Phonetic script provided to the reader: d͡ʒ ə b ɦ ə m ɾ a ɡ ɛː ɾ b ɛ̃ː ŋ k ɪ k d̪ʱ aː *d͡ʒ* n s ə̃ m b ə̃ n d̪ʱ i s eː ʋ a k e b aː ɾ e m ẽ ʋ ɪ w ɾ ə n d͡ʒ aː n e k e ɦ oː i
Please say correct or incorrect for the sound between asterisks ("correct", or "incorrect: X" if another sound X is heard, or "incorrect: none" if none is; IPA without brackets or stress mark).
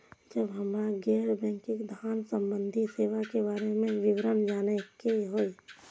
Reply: incorrect: none